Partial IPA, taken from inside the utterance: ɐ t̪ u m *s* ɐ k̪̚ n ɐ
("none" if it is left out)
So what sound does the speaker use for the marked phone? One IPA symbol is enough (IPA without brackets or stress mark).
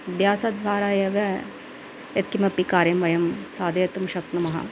ʃ